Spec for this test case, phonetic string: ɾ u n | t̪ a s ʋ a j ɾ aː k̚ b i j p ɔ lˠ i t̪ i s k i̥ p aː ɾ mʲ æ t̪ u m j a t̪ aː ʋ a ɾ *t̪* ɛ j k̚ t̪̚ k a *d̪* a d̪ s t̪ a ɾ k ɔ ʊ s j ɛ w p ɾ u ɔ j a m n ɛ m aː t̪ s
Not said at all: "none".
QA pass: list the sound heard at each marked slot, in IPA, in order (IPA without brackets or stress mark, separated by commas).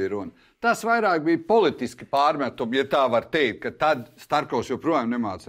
t̪, t̪